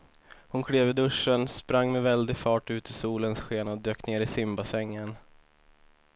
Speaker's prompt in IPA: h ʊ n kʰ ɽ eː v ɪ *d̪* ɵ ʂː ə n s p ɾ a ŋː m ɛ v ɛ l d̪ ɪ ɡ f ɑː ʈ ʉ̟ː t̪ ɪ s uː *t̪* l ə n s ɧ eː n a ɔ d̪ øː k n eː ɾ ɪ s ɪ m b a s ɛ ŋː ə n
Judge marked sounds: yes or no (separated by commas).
yes, no